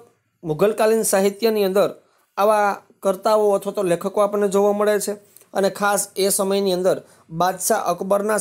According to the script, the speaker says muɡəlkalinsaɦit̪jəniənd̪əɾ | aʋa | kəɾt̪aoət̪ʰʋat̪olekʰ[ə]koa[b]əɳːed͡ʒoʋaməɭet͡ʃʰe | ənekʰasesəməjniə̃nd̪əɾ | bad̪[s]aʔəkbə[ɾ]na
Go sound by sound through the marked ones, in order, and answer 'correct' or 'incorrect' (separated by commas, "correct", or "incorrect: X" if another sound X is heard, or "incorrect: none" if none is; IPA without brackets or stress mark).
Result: correct, incorrect: p, incorrect: ʃ, correct